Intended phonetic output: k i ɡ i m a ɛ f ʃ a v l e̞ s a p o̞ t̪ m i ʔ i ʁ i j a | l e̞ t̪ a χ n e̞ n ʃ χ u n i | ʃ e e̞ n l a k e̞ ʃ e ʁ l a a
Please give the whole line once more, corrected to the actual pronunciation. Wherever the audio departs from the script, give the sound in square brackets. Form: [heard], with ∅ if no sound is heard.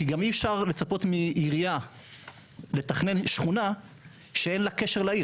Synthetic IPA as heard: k i ɡ [a] m [i] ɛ f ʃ a [ʁ] l e̞ [t͡s] a p o̞ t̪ m i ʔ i ʁ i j a | l e̞ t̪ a χ n e̞ n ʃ χ u n [a] | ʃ e e̞ n l a k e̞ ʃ e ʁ l a [i]